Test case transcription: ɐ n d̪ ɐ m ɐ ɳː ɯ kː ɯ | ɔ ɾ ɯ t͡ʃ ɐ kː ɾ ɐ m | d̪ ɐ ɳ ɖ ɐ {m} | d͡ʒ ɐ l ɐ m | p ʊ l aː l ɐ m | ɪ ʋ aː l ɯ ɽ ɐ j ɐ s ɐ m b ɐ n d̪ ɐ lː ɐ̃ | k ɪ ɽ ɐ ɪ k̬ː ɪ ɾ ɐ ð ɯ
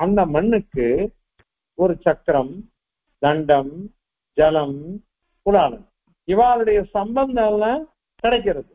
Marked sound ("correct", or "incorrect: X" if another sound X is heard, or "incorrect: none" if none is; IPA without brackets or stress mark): correct